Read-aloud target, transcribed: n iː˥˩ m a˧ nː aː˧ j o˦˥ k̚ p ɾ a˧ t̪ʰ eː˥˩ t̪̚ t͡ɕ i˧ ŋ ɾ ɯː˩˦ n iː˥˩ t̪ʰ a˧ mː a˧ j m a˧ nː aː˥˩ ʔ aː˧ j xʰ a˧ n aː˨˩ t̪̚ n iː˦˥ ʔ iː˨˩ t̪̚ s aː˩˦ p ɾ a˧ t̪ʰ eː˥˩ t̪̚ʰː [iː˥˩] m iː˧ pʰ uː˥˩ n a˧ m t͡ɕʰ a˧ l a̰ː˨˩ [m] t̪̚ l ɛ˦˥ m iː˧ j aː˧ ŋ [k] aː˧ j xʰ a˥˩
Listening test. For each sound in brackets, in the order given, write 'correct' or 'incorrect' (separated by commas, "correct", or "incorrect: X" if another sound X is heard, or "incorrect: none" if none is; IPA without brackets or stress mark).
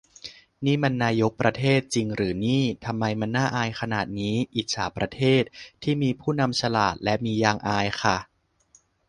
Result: correct, incorrect: none, incorrect: ʔ